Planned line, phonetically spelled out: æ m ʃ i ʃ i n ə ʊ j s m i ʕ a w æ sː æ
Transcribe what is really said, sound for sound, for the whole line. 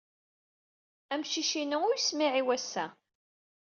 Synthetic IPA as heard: æ m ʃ i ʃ i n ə ʊ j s m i ʕ i w æ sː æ